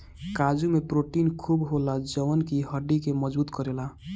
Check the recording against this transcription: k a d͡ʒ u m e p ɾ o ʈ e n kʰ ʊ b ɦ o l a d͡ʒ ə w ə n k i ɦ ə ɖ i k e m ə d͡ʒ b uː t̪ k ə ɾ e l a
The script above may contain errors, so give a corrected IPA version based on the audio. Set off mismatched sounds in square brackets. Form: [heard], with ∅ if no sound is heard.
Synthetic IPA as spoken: k a d͡ʒ u m e p ɾ o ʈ [i] n kʰ [u] b ɦ o l a d͡ʒ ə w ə n k i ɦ ə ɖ i k e m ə d͡ʒ b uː t̪ k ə ɾ e l a